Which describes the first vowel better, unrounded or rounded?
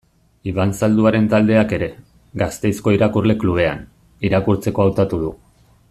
unrounded